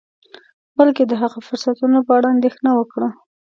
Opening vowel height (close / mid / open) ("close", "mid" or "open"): open